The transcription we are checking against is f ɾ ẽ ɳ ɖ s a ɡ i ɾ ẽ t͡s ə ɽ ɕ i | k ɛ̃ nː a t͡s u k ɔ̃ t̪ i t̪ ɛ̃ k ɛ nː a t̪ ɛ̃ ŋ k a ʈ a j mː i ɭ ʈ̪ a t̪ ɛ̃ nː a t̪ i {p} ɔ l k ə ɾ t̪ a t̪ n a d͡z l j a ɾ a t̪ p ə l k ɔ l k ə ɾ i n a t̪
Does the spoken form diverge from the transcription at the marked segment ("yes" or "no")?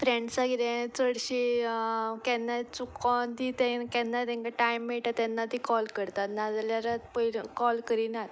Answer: yes